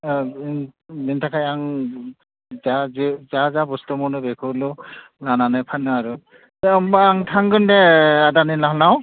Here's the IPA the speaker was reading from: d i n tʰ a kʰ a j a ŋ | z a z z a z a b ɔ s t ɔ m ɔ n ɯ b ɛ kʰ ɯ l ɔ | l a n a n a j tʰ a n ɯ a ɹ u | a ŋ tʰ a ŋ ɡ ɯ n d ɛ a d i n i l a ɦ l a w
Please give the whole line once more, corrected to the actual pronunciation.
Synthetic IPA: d i n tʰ a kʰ a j a ŋ | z a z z a z a b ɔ s t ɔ m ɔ n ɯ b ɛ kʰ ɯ l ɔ | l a n a n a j pʰ a n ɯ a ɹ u | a ŋ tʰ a ŋ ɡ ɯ n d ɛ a d a n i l a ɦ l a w